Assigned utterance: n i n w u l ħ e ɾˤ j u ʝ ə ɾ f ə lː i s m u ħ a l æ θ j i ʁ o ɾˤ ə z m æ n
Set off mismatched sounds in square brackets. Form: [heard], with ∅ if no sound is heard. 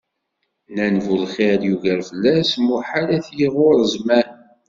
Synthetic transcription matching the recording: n [æ] n [v] u l [χ] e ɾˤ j u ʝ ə ɾ f ə lː [æ] s m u ħ a l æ θ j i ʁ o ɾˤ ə z m æ n